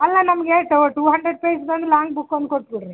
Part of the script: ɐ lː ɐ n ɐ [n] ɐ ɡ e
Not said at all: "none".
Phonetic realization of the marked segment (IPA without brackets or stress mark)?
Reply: m